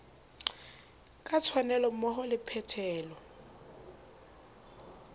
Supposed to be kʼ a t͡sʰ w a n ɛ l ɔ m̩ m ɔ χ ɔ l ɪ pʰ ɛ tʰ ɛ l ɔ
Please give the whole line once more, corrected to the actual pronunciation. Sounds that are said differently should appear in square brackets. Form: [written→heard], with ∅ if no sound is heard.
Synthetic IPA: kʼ a t͡sʰ w a n ɛ l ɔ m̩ m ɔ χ ɔ l ɪ pʰ ɛ tʰ [ɛ→ɛː] l ɔ